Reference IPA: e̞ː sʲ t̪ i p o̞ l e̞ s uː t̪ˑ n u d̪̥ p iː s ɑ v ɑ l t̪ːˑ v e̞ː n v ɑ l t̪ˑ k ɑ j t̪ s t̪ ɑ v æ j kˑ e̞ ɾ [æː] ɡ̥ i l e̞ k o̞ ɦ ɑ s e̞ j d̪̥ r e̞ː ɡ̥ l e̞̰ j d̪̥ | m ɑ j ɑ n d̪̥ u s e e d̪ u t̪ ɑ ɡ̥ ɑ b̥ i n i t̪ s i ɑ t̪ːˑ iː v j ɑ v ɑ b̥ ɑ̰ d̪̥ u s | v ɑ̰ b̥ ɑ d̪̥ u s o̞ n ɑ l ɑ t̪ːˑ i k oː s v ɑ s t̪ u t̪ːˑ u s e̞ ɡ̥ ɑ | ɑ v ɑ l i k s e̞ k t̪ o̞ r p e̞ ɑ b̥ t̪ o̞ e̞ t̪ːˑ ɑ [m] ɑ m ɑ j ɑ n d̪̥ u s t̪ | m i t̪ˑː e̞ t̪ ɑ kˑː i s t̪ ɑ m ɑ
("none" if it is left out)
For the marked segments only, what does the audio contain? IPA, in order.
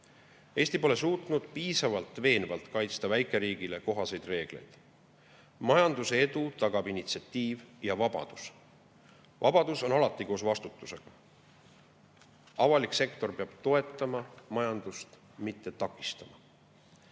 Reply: iː, m

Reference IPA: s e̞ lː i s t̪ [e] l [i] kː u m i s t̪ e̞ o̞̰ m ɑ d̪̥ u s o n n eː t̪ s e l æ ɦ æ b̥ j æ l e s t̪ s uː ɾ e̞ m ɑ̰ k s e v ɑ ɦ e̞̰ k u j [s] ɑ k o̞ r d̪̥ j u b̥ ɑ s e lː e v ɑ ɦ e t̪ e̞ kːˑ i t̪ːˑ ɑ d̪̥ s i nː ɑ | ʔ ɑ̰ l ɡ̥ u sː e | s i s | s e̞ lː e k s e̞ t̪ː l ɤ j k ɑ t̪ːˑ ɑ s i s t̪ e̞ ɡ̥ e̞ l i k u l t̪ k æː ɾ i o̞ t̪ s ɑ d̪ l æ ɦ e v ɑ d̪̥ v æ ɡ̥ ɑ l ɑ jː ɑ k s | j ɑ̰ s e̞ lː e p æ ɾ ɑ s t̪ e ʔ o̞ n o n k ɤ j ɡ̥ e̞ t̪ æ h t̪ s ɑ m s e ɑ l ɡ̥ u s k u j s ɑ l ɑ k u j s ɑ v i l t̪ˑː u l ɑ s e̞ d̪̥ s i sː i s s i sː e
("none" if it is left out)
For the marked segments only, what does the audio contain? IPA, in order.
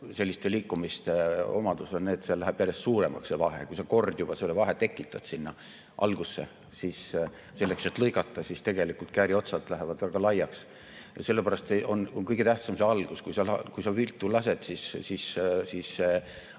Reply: e, iː, s

